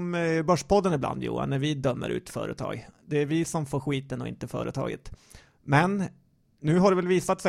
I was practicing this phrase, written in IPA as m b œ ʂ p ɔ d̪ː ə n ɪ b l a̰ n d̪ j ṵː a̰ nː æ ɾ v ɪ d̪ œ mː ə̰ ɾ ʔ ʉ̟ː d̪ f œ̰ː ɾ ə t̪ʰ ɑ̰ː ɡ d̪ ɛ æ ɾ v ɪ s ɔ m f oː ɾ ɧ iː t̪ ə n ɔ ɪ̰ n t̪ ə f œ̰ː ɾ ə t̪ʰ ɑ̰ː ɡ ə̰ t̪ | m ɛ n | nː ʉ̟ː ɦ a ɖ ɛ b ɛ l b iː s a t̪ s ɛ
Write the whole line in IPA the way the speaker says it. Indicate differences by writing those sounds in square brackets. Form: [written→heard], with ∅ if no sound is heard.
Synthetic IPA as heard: m b œ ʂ p ɔ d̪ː ə n ɪ b l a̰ n d̪ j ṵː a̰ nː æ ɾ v ɪ d̪ œ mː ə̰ ɾ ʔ ʉ̟ː [d̪→t̪] f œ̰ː ɾ ə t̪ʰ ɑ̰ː ɡ d̪ ɛ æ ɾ v ɪ s ɔ m f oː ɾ ɧ iː t̪ ə n ɔ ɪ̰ n t̪ ə f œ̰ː ɾ ə t̪ʰ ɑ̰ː ɡ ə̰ t̪ | m ɛ n | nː ʉ̟ː ɦ a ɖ ɛ [b→v] ɛ l [b→v] iː s a t̪ s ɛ